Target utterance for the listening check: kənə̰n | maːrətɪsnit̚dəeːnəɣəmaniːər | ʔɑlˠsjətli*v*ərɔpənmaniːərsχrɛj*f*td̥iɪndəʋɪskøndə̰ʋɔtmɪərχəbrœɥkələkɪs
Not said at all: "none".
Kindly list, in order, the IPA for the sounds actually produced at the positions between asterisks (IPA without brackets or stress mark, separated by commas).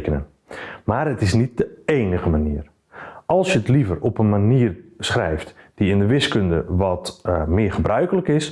v, f